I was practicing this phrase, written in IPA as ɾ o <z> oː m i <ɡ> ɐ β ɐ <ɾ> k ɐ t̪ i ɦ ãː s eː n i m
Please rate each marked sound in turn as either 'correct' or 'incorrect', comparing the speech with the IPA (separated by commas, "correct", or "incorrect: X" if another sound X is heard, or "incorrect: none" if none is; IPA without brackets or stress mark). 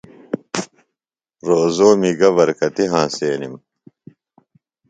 correct, correct, correct